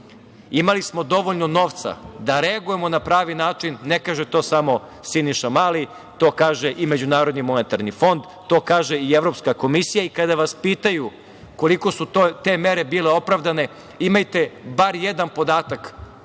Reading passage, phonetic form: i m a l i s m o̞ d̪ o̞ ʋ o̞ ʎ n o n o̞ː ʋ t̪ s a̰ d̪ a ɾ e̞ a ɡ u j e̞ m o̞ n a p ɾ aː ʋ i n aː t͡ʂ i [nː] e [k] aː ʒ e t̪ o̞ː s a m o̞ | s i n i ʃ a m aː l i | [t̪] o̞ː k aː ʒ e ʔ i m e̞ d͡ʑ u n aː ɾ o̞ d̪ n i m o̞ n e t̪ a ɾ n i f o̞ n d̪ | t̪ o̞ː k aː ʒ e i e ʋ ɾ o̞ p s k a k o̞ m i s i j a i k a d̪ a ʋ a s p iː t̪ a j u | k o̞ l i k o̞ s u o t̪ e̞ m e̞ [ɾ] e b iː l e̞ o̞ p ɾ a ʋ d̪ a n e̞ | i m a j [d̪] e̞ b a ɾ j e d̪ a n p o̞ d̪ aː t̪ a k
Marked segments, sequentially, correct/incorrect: correct, correct, correct, correct, incorrect: t̪

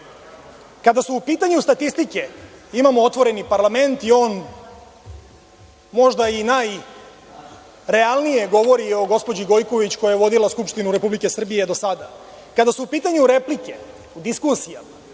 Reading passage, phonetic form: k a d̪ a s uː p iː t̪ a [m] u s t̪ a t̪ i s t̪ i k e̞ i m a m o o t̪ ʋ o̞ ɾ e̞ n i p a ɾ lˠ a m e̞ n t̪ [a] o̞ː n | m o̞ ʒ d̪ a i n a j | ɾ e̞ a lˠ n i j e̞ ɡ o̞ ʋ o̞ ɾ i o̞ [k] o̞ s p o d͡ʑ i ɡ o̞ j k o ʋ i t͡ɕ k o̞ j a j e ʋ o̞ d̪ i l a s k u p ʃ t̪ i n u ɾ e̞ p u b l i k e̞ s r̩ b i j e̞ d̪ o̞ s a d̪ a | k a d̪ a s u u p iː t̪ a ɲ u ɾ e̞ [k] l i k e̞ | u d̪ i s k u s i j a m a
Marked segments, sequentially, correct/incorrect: incorrect: ɲ, incorrect: i, incorrect: ɡ, incorrect: p

